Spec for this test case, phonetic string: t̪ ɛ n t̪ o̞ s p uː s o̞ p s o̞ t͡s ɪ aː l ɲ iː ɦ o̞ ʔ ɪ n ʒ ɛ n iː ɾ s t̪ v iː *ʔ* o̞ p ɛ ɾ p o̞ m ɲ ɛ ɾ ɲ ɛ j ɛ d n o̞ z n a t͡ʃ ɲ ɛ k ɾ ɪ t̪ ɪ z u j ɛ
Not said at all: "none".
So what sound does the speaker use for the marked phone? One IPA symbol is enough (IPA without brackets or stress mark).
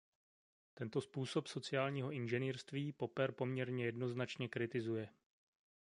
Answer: p